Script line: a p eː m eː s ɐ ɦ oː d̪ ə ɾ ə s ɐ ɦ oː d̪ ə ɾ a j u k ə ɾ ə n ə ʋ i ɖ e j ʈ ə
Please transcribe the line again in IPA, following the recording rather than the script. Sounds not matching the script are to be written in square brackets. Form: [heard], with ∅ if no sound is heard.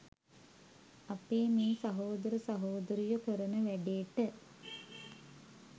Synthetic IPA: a p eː m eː s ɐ ɦ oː d̪ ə ɾ ə s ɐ ɦ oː d̪ ə ɾ [i] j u k ə ɾ ə n ə ʋ [æ] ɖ e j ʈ ə

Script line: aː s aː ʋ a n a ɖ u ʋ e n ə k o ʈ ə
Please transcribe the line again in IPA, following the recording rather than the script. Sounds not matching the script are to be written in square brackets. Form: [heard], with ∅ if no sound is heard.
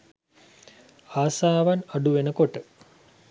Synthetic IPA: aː s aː ʋ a n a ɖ u ʋ e n ə k o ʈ ə

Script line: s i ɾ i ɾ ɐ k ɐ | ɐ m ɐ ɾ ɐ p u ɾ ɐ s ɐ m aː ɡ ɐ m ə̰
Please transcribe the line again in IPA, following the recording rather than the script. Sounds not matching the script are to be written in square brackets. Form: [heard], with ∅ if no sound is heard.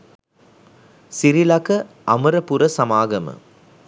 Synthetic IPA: s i ɾ i [l] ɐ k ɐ | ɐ m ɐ ɾ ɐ p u ɾ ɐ s ɐ m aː ɡ ɐ m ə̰

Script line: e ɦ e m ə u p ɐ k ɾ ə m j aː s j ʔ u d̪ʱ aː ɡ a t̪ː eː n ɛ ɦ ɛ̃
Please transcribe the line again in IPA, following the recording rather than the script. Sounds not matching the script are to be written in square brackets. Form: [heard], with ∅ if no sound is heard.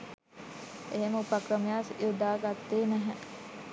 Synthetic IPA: e ɦ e m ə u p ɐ k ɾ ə m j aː s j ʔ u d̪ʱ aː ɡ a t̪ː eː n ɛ ɦ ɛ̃

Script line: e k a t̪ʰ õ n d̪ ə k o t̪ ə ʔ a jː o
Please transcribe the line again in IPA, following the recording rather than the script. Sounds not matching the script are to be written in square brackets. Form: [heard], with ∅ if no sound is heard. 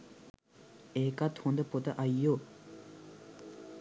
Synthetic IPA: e k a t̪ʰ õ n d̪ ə [p] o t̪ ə ʔ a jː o

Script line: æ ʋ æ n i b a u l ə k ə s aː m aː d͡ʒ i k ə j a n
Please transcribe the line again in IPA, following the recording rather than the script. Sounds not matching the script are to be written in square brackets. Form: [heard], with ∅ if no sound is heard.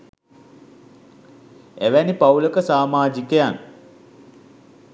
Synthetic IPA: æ ʋ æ n i [p] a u l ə k ə s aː m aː d͡ʒ i k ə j a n

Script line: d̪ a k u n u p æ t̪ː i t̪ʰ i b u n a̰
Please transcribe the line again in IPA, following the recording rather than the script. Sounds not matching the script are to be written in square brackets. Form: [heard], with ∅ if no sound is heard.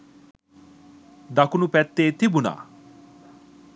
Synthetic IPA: d̪ a k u n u p [ɛ] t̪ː [e] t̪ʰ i b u n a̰

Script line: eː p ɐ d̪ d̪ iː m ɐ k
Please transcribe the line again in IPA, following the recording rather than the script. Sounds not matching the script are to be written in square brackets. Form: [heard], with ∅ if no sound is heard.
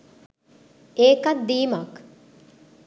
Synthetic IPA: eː [k] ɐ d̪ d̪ iː m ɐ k

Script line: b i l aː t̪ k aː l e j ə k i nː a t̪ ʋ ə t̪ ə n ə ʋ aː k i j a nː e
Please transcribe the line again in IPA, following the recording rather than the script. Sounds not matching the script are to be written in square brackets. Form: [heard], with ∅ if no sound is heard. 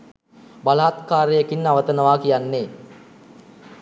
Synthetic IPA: b [a] l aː t̪ k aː [ɾ] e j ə k i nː a [∅] ʋ ə t̪ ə n ə ʋ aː k i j a nː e

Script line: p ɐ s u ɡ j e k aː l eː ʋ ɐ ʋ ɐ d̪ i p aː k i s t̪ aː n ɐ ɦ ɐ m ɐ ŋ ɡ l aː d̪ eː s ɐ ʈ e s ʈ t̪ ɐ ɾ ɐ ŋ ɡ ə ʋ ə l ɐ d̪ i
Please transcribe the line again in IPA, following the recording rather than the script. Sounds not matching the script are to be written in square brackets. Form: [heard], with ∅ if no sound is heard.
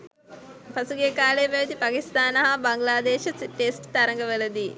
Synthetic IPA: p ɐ s u ɡ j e k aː l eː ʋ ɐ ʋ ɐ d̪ i p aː k i s t̪ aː n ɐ ɦ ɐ [b] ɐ ŋ ɡ l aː d̪ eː [ʃ] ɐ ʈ e s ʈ t̪ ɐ ɾ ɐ ŋ ɡ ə ʋ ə l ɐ d̪ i

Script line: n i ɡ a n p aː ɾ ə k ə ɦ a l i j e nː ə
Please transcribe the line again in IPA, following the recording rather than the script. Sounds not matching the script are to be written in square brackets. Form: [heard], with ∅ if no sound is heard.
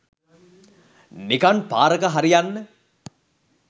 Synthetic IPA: n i [k] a n p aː ɾ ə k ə ɦ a [ɾ] i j [a] nː ə

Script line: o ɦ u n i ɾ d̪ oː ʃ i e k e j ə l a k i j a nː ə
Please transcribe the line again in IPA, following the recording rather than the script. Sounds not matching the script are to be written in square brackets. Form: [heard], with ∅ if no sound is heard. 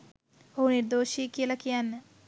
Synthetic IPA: o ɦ u n i ɾ d̪ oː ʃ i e k [i] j ə l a k i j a nː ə

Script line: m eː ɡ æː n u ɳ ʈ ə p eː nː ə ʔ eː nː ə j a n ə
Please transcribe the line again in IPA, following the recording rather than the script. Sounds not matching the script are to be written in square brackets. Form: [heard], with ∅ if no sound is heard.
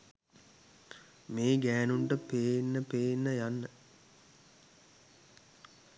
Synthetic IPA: m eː ɡ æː n u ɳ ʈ ə p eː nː ə [p] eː nː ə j a [nː] ə

